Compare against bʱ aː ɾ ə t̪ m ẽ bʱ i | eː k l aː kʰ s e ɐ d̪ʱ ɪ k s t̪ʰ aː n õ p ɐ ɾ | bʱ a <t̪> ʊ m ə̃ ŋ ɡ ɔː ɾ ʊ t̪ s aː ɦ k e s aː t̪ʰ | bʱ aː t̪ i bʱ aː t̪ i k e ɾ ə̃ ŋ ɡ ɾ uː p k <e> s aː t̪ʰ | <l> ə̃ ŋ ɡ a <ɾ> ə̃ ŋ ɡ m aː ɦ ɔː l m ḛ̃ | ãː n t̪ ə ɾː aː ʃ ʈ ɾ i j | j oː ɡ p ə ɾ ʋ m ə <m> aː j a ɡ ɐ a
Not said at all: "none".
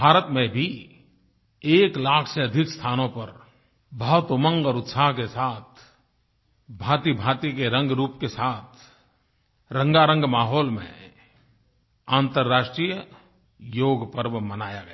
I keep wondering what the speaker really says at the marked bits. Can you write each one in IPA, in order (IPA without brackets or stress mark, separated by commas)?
t̪, e, ɾ, ɾ, n